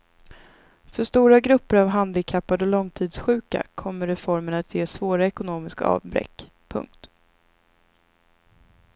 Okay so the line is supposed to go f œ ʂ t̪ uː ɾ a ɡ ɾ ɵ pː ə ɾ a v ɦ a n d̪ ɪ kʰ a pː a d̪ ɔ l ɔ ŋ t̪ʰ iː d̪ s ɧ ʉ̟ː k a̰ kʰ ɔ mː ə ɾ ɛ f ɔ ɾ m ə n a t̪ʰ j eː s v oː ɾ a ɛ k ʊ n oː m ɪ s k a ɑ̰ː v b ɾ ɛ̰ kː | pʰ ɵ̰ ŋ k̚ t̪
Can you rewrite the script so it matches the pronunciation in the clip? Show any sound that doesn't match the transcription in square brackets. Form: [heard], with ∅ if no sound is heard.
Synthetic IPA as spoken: f œ ʂ t̪ uː ɾ a ɡ ɾ ɵ pː ə ɾ a v ɦ a n d̪ ɪ kʰ a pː a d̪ ɔ l ɔ ŋ t̪ʰ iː d̪ s ɧ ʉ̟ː k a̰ kʰ ɔ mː ə ɾ ɛ f ɔ ɾ m ə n a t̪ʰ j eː s v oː ɾ a ɛ k ʊ n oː m ɪ s k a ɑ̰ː v b ɾ ɛ̰ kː | pʰ ɵ̰ ŋ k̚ t̪